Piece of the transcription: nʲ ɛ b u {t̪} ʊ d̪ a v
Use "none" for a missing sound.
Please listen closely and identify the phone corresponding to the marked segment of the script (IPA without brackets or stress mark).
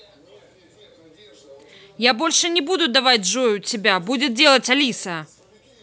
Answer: d̪